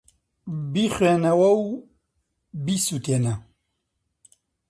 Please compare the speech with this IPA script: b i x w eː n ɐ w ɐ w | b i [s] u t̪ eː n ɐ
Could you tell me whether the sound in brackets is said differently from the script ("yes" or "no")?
no